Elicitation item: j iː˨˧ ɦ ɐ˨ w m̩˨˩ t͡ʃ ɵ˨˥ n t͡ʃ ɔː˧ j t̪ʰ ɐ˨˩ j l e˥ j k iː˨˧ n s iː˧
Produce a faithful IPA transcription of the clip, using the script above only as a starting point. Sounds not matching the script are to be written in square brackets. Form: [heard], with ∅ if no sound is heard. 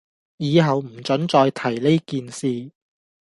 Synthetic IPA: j iː˨˧ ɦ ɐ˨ w m̩˨˩ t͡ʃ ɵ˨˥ n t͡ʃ ɔː˧ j t̪ʰ ɐ˨˩ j l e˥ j k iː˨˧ n s iː˧